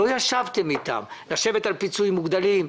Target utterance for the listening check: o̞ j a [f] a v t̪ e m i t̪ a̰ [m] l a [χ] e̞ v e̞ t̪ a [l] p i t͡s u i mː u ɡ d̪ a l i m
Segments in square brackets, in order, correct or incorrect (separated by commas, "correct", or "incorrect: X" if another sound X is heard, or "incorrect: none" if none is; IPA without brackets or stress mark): incorrect: ʃ, correct, incorrect: ʃ, correct